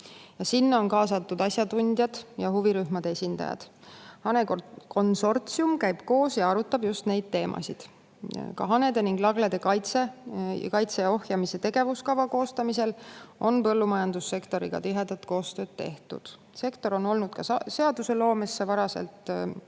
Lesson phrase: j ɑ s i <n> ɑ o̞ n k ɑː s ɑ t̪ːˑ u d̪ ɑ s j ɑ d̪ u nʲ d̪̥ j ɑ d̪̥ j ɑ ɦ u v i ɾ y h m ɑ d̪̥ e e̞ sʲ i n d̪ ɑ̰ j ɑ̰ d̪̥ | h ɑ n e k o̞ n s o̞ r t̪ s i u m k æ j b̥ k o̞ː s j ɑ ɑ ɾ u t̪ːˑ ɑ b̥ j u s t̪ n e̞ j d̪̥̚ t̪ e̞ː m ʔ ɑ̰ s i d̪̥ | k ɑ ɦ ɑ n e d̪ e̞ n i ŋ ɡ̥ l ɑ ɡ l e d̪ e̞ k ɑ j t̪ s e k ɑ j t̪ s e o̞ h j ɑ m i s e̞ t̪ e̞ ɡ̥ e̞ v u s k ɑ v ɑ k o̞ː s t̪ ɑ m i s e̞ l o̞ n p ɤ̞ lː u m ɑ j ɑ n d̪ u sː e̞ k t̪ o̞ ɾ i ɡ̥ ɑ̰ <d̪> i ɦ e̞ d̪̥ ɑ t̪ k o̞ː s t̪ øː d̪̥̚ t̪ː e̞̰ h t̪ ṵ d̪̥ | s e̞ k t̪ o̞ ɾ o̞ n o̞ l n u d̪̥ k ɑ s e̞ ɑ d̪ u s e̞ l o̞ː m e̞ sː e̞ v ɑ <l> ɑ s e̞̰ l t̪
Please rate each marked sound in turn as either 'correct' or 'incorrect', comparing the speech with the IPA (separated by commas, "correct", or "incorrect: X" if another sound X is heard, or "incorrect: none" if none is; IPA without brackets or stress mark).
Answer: incorrect: nː, incorrect: t̪, incorrect: ɾ